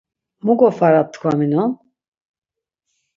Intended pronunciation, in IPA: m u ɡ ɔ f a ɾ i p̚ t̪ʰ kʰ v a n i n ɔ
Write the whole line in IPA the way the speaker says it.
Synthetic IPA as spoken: m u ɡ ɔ f a ɾ a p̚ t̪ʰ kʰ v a m i n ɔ